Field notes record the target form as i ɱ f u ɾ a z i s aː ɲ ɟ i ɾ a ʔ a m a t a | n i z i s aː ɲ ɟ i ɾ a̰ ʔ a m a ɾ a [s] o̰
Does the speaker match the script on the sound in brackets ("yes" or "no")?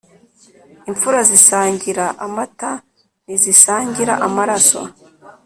yes